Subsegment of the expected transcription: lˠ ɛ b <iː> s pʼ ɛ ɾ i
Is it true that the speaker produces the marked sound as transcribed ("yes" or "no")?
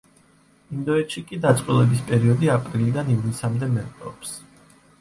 no